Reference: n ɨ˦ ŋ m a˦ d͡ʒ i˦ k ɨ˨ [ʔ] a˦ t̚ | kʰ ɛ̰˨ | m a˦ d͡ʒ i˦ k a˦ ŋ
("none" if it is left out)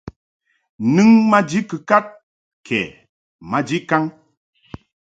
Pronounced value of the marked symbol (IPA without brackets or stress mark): k